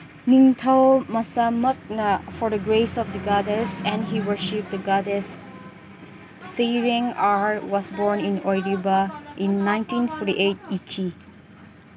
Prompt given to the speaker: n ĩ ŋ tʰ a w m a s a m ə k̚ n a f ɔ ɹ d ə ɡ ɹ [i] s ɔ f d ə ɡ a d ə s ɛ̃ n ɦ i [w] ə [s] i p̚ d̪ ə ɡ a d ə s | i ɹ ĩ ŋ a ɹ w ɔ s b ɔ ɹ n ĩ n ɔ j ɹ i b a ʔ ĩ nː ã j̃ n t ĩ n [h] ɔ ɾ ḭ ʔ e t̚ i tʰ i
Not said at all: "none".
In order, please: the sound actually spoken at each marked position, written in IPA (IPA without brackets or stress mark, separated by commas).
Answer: e, w, ʃ, f